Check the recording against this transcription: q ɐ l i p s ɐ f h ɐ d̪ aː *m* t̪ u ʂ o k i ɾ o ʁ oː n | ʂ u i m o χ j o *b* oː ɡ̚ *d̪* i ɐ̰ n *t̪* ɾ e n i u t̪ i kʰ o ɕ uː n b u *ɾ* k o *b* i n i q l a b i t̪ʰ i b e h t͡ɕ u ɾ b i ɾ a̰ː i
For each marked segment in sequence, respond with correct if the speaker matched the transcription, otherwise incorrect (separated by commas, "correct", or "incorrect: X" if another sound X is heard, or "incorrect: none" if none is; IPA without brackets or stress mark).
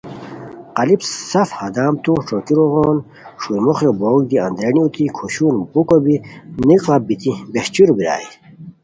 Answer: correct, correct, correct, incorrect: d̪, incorrect: none, correct